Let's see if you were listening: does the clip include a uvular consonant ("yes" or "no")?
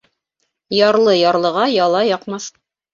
yes